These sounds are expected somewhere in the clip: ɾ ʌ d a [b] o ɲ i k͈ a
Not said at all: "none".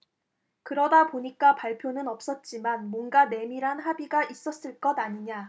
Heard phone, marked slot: p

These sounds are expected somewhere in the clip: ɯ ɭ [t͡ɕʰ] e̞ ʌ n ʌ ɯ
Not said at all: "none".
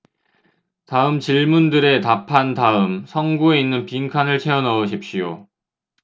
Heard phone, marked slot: t͡ɕʰ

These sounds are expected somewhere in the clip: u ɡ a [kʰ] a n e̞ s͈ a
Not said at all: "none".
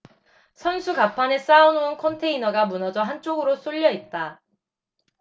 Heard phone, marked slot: pʰ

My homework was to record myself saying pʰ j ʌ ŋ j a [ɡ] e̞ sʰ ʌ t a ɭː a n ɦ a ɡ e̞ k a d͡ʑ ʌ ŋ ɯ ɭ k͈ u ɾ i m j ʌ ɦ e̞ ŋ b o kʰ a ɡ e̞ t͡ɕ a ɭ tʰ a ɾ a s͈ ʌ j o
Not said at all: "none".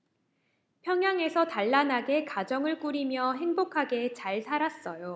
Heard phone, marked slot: ŋ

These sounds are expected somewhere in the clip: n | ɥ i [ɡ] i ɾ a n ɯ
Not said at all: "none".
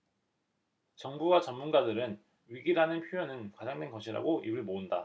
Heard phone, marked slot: ɡ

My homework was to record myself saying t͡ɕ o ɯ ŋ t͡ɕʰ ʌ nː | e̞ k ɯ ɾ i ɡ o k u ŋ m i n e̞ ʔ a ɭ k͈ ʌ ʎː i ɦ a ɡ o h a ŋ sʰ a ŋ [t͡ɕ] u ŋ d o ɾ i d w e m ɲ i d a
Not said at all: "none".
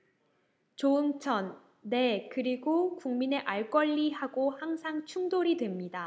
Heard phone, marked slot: t͡ɕʰ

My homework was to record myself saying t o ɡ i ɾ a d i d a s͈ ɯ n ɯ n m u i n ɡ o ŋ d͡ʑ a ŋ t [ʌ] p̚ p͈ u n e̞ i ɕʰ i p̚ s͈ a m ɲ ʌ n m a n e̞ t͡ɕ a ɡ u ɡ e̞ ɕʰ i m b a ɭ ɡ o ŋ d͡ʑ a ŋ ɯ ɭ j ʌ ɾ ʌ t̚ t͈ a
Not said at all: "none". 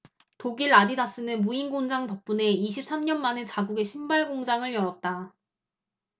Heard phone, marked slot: ʌ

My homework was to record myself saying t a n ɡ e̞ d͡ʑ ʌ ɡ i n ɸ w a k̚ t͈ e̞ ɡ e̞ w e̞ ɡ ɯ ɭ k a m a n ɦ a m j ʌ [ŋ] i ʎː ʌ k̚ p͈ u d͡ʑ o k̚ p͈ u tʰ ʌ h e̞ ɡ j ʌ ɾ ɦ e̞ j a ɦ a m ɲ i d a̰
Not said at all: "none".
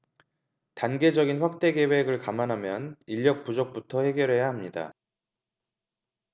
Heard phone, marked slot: n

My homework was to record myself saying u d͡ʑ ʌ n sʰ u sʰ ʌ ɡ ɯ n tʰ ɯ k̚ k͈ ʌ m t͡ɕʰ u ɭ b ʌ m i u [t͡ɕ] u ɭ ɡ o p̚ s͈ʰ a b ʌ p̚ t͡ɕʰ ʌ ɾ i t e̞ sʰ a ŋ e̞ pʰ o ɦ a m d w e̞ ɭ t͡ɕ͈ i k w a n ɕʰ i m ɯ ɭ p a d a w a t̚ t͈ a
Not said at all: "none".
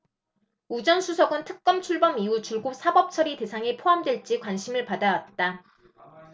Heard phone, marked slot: t͡ɕ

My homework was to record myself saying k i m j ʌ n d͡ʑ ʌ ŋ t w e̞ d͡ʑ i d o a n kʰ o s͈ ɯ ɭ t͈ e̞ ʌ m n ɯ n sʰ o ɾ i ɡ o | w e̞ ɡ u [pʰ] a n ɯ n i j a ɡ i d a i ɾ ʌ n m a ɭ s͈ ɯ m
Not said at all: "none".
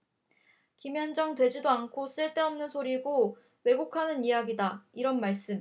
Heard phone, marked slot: kʰ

